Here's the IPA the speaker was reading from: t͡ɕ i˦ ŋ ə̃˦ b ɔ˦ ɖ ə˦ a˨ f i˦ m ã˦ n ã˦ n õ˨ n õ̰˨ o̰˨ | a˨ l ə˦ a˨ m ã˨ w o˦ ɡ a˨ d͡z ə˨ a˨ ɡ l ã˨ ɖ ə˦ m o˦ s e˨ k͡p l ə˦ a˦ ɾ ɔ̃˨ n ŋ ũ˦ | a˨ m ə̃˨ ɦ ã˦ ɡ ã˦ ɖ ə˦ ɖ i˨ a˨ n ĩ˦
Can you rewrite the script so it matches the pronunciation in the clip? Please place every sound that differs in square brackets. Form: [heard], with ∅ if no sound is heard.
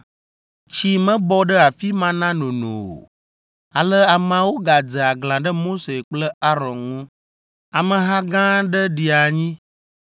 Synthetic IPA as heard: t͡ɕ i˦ [m] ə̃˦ b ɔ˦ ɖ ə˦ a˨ f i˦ m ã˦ n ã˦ n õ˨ n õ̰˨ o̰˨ | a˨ l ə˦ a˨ m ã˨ w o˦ ɡ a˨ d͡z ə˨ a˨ ɡ l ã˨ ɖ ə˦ m o˦ s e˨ k͡p l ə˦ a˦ ɾ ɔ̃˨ n ŋ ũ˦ | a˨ m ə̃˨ ɦ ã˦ ɡ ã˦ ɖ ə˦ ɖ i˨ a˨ [ɲ] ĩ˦

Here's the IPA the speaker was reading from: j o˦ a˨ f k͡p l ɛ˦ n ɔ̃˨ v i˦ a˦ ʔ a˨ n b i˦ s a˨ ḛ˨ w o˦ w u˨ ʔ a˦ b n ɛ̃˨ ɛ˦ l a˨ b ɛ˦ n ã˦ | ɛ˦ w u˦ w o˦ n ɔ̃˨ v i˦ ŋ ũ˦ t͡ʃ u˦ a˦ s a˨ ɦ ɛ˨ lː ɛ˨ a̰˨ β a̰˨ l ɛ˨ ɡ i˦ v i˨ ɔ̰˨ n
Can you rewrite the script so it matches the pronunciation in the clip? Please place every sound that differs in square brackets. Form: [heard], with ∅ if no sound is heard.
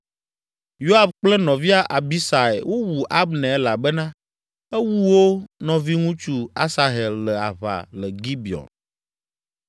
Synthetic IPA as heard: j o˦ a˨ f k͡p l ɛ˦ n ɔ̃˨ v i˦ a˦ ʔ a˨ [∅] b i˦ s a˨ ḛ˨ w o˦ w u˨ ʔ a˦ b n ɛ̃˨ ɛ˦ l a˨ b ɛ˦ n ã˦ | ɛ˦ w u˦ w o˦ n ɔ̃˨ v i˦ ŋ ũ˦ t͡ʃ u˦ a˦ s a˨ ɦ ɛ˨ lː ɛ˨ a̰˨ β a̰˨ l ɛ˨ ɡ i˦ [b] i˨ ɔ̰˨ n

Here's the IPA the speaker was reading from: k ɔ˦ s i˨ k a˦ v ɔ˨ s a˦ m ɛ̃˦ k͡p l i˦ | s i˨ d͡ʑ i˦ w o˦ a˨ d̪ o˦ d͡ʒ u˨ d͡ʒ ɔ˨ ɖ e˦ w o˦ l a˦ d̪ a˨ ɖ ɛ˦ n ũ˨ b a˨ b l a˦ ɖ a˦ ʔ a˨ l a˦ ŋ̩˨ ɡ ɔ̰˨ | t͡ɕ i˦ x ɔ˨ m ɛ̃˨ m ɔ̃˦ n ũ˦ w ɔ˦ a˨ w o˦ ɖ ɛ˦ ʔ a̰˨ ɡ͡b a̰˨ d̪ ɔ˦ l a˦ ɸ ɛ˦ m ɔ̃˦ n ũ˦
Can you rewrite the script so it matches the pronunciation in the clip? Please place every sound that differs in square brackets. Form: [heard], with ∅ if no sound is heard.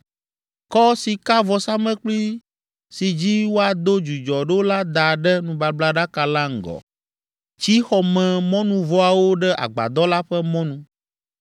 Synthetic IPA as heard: k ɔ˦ s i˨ k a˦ v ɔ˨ s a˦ m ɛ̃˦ k͡p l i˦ | s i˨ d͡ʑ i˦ w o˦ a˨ d̪ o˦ d͡ʒ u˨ d͡ʒ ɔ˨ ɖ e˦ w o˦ l a˦ d̪ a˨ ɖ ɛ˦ n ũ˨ b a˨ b l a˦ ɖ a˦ [k] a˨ l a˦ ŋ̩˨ ɡ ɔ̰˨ | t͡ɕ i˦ x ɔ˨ m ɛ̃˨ m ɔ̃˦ n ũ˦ [v] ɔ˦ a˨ w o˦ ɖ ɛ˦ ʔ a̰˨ ɡ͡b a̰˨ d̪ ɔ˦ l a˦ ɸ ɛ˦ m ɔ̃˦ n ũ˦

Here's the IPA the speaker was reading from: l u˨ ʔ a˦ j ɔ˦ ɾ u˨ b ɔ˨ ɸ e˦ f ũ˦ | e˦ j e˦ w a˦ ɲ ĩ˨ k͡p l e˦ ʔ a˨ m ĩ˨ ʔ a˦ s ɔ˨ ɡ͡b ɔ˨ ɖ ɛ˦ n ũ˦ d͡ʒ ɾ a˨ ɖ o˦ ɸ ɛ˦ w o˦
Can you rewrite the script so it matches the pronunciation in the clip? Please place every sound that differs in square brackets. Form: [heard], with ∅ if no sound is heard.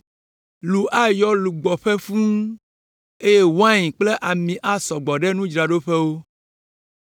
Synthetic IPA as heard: l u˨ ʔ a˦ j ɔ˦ [l] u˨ [ɡ͡b] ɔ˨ ɸ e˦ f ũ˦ | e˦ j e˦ w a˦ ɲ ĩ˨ k͡p l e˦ ʔ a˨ m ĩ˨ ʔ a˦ s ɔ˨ ɡ͡b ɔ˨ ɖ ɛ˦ n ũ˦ d͡ʒ ɾ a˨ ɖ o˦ ɸ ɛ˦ w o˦

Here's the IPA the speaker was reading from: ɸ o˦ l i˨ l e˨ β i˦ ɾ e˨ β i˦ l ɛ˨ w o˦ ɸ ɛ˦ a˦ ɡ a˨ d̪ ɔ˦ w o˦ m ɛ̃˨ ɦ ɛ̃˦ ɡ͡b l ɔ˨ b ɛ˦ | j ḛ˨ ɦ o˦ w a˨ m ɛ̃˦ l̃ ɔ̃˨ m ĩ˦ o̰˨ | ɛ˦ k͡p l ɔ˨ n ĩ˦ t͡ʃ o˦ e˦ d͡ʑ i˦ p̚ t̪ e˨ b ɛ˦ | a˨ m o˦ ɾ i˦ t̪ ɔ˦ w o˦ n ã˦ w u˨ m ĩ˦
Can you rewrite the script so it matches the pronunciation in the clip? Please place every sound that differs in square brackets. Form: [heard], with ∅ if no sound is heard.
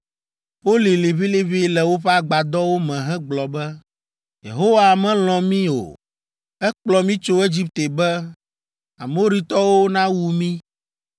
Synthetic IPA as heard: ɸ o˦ l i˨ l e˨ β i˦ [l] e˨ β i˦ l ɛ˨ w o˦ ɸ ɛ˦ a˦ [ɡ͡b] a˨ d̪ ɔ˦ w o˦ m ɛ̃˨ ɦ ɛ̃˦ ɡ͡b l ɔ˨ b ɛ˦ | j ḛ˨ ɦ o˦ w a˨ m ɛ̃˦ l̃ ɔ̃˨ m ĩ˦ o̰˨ | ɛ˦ k͡p l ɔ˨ [m] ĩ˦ t͡ʃ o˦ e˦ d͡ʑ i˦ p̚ t̪ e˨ b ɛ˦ | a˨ m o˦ ɾ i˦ t̪ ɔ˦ w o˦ n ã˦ w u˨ m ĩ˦

